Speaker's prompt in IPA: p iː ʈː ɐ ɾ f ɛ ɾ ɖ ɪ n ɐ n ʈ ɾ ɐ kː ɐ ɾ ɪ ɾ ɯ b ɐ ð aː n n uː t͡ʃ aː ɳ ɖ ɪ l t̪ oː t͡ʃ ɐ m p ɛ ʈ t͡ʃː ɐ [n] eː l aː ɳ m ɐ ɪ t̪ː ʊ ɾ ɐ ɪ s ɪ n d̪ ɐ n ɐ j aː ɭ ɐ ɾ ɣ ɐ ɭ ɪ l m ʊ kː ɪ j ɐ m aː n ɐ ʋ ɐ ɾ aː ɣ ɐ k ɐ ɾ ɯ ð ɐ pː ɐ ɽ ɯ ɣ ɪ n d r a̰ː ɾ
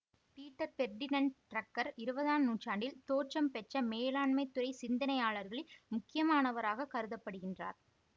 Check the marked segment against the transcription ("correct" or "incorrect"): incorrect